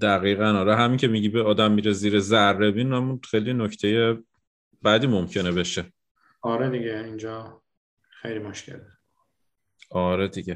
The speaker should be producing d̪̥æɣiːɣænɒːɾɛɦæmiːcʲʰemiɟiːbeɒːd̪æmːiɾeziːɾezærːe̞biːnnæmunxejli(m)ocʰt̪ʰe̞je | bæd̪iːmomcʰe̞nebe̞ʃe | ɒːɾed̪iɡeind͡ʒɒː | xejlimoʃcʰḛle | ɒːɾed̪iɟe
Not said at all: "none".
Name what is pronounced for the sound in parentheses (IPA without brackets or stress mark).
n